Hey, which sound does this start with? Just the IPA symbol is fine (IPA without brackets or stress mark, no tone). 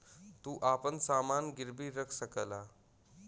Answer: t̪